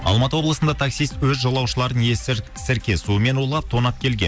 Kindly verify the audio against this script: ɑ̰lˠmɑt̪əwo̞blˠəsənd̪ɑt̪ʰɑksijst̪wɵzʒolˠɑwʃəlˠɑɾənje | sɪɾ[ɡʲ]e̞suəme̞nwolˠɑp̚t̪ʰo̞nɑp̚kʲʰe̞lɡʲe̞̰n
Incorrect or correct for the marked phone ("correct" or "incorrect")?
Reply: incorrect